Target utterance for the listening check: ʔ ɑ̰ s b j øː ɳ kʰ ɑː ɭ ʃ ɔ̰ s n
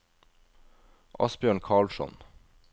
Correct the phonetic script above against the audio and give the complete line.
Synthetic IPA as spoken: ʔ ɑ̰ s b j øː ɳ kʰ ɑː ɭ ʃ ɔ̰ n